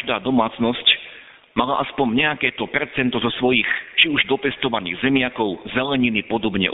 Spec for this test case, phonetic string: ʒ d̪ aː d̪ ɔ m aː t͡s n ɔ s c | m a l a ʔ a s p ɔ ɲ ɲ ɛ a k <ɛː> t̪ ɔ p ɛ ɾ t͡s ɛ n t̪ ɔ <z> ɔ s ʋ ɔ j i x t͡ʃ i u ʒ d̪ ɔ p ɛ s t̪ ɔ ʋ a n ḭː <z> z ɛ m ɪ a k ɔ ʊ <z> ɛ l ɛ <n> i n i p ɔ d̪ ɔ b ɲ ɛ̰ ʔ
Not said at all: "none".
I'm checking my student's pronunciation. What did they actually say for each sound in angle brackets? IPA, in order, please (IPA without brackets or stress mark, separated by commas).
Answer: ɛː, z, ɣ, z, ɲ